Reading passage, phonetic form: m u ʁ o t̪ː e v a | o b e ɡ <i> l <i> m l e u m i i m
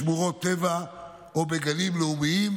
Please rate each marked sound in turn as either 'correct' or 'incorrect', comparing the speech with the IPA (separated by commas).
incorrect, correct